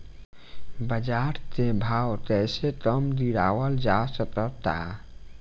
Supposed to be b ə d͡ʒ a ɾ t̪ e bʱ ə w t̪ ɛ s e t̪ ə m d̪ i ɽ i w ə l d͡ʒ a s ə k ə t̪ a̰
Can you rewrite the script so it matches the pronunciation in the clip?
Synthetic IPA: b ə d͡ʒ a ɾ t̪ e bʱ a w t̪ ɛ s e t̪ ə m d̪ i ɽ a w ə l d͡ʒ a s ə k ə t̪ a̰